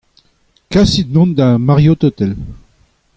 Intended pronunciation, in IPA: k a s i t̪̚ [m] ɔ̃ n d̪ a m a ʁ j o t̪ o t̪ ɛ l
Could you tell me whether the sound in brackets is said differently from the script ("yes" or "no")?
yes